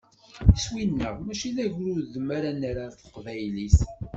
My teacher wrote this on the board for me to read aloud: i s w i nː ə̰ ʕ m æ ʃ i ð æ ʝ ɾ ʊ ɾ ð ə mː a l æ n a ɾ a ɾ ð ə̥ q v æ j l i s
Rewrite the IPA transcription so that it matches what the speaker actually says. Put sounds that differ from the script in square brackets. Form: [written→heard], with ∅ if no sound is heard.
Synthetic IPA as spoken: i s w i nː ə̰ [ʕ→ʁ] m æ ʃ i ð æ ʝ ɾ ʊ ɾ ð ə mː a [l→ɾ] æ n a ɾ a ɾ [ð→θ] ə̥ q v æ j l i s